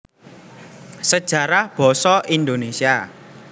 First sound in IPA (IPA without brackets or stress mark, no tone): s